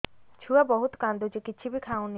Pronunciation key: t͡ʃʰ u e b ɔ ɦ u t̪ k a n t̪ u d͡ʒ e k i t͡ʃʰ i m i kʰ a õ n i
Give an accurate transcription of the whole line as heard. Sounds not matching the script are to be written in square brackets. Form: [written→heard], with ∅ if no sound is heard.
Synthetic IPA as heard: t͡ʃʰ u [e→a] b ɔ ɦ u t̪ k a n [t̪→d̪] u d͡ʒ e k i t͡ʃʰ i [m→b] i kʰ a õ n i